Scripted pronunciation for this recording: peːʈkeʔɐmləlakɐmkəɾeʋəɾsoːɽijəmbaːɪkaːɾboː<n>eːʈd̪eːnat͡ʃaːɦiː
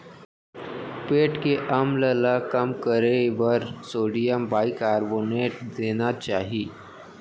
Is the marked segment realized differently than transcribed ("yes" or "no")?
no